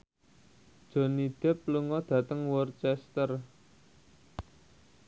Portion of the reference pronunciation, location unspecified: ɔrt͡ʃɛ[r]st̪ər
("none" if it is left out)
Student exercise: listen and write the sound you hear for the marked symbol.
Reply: none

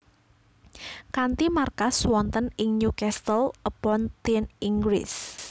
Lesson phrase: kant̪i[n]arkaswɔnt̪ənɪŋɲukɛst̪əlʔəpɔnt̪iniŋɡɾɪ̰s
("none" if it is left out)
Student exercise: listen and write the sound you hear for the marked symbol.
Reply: m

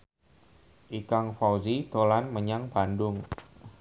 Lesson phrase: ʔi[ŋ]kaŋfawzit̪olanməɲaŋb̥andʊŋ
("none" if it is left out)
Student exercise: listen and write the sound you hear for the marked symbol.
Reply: none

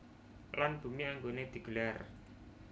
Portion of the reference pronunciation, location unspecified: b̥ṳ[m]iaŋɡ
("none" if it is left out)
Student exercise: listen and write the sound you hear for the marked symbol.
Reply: m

